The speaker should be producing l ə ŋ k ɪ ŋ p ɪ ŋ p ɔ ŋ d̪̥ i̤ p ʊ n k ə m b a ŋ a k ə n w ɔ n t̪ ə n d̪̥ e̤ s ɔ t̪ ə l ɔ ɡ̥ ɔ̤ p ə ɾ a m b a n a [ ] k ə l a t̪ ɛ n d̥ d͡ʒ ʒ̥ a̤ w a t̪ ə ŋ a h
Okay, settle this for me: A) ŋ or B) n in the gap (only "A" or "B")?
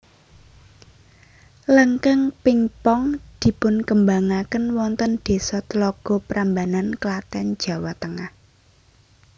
B